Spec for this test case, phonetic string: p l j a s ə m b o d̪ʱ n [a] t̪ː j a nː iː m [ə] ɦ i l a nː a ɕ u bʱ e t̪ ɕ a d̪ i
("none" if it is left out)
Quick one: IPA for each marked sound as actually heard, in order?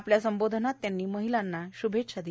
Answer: a, ə

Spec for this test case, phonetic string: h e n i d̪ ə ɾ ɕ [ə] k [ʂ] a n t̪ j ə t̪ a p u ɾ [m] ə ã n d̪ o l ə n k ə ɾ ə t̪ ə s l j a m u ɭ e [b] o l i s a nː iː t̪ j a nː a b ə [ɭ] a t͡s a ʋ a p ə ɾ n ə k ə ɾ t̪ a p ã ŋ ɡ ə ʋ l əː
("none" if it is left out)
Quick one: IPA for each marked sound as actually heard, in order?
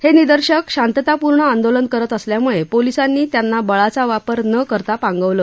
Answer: ə, ɕ, ɳ, p, ɭ

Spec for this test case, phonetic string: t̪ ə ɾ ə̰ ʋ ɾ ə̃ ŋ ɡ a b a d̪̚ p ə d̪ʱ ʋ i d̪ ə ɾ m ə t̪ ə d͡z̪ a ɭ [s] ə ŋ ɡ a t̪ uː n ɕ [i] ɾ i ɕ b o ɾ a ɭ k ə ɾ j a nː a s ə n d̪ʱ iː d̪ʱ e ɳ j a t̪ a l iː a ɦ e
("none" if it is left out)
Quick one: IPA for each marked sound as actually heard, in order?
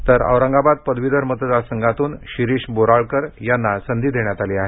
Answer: s, i

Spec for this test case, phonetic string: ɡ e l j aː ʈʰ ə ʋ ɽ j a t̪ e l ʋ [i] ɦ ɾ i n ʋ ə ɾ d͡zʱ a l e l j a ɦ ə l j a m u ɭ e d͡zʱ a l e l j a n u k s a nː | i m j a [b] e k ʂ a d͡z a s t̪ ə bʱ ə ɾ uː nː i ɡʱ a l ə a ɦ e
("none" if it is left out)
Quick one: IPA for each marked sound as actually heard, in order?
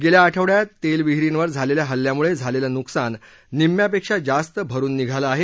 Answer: i, p

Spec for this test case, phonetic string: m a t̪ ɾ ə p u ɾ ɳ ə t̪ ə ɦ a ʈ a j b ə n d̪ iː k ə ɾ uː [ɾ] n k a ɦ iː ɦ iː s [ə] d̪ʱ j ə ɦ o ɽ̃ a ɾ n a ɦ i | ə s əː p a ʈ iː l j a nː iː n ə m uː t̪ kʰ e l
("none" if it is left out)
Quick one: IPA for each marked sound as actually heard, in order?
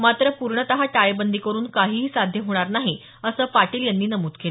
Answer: none, a

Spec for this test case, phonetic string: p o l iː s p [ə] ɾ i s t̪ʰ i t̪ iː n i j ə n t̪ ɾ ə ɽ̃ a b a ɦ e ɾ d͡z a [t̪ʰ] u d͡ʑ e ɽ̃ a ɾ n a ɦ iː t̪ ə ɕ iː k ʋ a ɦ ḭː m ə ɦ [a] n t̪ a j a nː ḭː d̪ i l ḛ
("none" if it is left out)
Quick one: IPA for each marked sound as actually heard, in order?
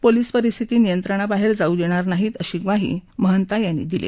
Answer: ə, none, ə

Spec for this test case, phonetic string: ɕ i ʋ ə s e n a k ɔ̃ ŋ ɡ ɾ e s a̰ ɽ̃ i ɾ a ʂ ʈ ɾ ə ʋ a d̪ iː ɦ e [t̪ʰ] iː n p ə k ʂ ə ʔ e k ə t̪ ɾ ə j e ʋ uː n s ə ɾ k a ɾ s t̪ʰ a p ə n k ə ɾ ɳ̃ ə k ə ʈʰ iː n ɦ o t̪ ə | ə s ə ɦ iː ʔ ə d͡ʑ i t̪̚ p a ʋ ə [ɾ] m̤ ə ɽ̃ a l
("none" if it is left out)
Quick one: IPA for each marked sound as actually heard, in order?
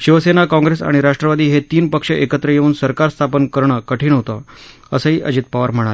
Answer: t̪, ɾ

